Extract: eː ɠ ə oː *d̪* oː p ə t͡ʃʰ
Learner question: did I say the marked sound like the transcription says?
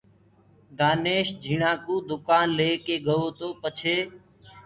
no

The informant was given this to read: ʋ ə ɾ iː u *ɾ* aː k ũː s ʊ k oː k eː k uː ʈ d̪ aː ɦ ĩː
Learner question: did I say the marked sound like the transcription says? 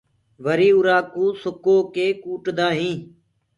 yes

